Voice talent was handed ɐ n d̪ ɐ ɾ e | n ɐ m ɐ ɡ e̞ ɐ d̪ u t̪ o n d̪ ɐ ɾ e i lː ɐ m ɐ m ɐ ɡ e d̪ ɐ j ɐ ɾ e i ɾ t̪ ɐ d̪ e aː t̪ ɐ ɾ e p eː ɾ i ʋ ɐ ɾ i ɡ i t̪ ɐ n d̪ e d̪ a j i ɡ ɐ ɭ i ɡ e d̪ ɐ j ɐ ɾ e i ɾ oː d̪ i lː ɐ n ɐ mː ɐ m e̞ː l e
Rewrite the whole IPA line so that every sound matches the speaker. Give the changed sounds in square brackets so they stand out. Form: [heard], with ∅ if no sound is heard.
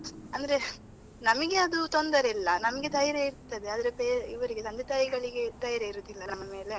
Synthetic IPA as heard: ɐ n d̪ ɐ ɾ e | n ɐ m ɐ ɡ e̞ ɐ d̪ u t̪ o n d̪ ɐ ɾ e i lː ɐ [n] ɐ m ɐ ɡ e d̪ ɐ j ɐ ɾ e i ɾ t̪ ɐ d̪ e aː [d̪] ɐ ɾ e p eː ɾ i ʋ ɐ ɾ i ɡ [e] t̪ ɐ n d̪ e [t̪] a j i ɡ ɐ ɭ i ɡ e d̪ ɐ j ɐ ɾ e i ɾ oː d̪ i lː ɐ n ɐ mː ɐ m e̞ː l e